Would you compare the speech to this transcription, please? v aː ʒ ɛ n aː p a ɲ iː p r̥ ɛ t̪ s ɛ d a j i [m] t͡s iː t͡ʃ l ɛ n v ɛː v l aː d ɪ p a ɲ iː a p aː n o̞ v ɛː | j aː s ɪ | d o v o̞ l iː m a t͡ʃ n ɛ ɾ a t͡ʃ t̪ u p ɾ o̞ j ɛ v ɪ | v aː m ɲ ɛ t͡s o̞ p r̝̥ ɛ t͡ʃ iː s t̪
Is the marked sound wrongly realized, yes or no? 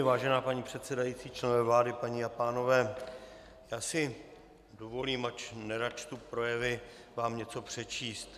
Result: yes